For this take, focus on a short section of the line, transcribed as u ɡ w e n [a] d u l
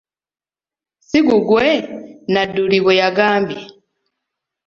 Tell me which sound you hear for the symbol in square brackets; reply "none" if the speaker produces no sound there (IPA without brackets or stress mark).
a